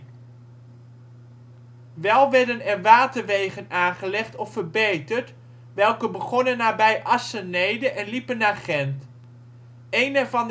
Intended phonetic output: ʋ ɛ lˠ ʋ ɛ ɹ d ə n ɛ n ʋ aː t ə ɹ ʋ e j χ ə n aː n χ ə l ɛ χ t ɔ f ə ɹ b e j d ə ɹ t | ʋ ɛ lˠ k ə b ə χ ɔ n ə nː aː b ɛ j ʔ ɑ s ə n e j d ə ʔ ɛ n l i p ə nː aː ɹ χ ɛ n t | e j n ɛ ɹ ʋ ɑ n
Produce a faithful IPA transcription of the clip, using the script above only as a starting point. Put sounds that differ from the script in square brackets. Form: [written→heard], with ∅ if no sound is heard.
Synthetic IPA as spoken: ʋ ɛ lˠ ʋ ɛ ɹ d ə n ɛ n ʋ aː t ə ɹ ʋ e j χ ə n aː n χ ə l ɛ χ t ɔ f ə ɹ b e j [d→t] ə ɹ t | ʋ ɛ lˠ k ə b ə χ ɔ n ə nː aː b ɛ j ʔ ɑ s ə n e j d ə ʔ ɛ n l i p ə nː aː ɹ χ ɛ n t | e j n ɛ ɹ [ʋ→v] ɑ n

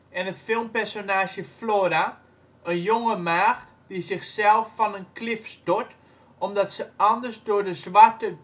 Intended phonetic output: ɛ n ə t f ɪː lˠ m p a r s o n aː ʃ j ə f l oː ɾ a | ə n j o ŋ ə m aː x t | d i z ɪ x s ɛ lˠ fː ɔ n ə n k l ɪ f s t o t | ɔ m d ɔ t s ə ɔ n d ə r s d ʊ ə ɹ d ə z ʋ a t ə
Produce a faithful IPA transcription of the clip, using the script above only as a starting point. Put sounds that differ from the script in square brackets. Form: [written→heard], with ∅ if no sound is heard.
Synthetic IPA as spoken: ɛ n ə t f [ɪː→ɪ] lˠ m p [a→ɛ] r s o n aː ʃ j ə f l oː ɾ a | ə n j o ŋ ə m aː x t | d i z ɪ x s ɛ lˠ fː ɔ n ə n k l ɪ f s t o t | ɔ m d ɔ t s ə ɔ n d ə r s d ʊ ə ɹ d ə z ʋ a t ə

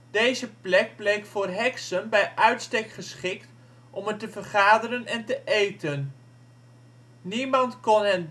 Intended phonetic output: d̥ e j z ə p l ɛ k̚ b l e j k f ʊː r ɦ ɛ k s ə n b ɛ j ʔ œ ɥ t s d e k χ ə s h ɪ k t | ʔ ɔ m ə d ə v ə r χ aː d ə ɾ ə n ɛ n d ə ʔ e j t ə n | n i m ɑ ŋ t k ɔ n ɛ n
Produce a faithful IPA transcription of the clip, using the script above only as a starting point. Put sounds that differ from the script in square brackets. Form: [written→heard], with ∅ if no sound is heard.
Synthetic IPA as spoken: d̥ e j z ə p l ɛ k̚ b l e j k f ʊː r ɦ ɛ k s ə n b ɛ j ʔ œ ɥ t s [d→t] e k χ ə s [h→χ] ɪ k t | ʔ ɔ m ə [d→t] ə v ə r χ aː d ə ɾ ə n ɛ n [d→t] ə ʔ e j t ə n | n i m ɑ [ŋ→n] t k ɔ n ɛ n

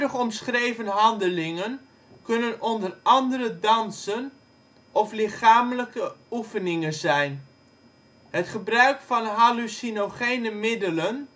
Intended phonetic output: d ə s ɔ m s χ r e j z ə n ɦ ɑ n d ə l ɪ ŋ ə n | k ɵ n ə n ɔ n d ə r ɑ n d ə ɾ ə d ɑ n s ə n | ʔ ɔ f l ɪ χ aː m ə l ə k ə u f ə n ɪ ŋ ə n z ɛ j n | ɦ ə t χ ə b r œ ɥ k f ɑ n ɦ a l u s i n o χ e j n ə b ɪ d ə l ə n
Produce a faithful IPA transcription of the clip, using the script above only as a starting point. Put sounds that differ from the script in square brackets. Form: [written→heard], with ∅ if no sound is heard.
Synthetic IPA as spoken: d ə [s→χ] ɔ m s χ r e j [z→v] ə n ɦ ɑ n d ə l ɪ ŋ ə n | k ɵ n ə n ɔ n d ə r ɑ n d ə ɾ ə d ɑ n s ə n | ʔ ɔ f l ɪ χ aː m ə l ə k ə u f ə n ɪ ŋ ə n z ɛ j n | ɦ ə t χ ə b r œ ɥ k f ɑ n ɦ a l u s i n o χ e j n ə [b→m] ɪ d ə l ə n

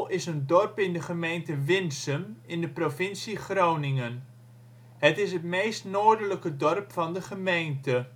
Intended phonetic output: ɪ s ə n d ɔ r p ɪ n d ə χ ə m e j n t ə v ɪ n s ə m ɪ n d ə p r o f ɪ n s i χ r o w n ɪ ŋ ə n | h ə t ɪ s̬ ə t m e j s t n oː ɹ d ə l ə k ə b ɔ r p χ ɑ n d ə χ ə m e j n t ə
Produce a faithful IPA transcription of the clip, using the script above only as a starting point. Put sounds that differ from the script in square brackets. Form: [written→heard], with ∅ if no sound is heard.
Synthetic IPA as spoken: ɪ s ə n d ɔ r p ɪ n d ə χ ə m e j n t ə [v→ʋ] ɪ n s ə m ɪ n d ə p r o f ɪ n s i χ r o w n ɪ ŋ ə n | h ə t ɪ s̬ ə t m e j s t n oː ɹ d ə l ə k ə [b→d] ɔ r p [χ→f] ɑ n d ə χ ə m e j n t ə

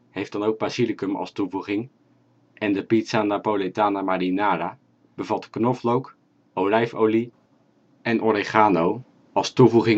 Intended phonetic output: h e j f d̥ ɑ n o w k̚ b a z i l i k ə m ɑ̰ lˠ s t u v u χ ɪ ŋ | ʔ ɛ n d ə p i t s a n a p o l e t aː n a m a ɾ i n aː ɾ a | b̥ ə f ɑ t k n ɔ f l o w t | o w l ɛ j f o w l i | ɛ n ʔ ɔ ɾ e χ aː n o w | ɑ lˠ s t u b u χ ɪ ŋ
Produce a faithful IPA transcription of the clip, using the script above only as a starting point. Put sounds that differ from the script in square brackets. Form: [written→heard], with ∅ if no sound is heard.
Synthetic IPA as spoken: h e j f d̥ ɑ n o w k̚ b a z i l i k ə m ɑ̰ lˠ s t u v u χ ɪ ŋ | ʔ ɛ n d ə p i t s a n a p o l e t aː n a m a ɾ i n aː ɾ a | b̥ ə [f→v] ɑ t k n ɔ f l o w [t→k] | o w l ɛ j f o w l i | ɛ n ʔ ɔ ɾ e χ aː n o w | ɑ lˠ s t u [b→v] u χ ɪ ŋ

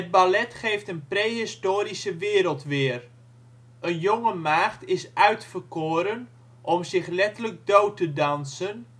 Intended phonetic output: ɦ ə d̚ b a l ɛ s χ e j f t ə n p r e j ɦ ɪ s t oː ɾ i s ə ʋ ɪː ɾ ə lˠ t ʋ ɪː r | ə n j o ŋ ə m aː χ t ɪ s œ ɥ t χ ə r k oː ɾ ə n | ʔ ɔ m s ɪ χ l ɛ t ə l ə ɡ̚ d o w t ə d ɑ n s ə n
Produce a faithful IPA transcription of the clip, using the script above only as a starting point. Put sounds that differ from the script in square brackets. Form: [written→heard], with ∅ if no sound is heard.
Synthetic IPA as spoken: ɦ ə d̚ b a l ɛ [s→t] χ e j f t ə n p r e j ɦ ɪ s t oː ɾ i s ə ʋ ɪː ɾ ə lˠ t ʋ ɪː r | ə n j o ŋ ə m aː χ t ɪ s œ ɥ t [χ→f] ə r k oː ɾ ə n | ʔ ɔ m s ɪ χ l ɛ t ə l ə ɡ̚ d o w t ə d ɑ n s ə n

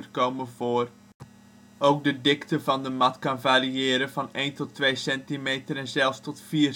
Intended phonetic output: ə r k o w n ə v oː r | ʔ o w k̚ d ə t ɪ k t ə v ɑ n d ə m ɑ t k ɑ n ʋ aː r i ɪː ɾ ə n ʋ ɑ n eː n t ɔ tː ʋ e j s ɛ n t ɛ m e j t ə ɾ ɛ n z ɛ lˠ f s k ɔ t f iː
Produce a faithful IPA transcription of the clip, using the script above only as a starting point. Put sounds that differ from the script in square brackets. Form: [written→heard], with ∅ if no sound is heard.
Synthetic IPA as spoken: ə r k o w [n→m] ə v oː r | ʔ o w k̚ d ə [t→d] ɪ k t ə v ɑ n d ə m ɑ t k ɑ n [ʋ→v] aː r i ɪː ɾ ə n [ʋ→v] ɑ n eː n t ɔ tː ʋ e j s ɛ n t [ɛ→i] m e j t ə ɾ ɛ n z ɛ lˠ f s [k→t] ɔ t f iː

